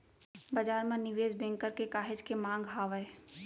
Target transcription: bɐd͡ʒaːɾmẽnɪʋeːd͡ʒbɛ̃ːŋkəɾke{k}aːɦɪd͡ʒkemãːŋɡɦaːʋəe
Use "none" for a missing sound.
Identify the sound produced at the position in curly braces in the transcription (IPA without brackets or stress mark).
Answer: k